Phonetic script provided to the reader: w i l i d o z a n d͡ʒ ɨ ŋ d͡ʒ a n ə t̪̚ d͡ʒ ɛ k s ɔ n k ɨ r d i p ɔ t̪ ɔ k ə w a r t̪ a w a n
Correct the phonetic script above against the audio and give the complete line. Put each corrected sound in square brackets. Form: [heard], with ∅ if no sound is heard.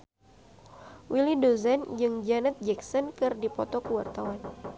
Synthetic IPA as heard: w i l i d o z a n d͡ʒ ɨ ŋ d͡ʒ a n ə t̪̚ d͡ʒ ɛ k s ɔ n k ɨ r d i p ɔ t̪ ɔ k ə w a r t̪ a w a n